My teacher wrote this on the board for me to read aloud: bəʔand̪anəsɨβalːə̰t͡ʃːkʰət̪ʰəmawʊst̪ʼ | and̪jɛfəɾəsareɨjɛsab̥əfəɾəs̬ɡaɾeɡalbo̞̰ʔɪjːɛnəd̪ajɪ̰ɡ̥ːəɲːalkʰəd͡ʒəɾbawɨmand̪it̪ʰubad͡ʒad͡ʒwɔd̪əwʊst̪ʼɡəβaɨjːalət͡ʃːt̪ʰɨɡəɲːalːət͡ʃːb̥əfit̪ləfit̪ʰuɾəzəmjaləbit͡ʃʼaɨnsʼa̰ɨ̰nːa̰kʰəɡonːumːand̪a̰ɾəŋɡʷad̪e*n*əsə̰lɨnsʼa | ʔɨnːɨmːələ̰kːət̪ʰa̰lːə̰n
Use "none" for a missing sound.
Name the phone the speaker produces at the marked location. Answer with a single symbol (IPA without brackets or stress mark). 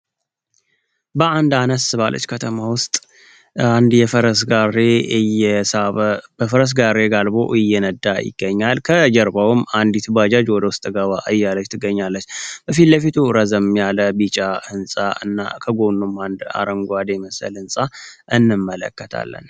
m